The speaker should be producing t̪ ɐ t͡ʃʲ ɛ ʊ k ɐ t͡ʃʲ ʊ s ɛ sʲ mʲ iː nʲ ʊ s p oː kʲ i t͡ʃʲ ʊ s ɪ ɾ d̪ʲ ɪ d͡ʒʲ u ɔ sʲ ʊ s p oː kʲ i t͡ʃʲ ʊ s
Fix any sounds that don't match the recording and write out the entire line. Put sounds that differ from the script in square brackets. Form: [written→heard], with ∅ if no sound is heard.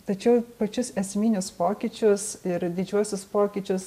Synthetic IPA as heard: t̪ ɐ t͡ʃʲ ɛ ʊ [k→p] ɐ t͡ʃʲ ʊ s ɛ sʲ mʲ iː nʲ ʊ s p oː kʲ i t͡ʃʲ ʊ s ɪ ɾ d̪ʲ ɪ d͡ʒʲ u ɔ sʲ ʊ s p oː kʲ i t͡ʃʲ ʊ s